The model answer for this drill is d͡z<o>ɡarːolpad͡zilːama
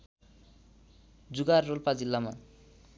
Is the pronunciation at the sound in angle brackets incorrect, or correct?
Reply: incorrect